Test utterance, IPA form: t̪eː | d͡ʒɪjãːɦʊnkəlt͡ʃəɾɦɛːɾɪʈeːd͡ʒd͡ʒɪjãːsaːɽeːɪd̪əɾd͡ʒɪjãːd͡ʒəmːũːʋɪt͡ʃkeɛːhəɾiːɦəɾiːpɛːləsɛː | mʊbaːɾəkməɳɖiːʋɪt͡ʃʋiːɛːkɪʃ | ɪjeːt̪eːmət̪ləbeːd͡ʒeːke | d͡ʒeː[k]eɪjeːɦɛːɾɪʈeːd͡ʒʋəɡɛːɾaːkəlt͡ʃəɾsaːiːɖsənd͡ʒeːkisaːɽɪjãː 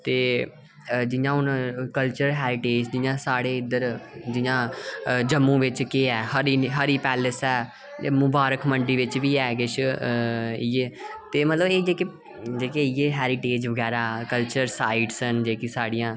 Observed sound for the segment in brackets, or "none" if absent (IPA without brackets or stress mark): k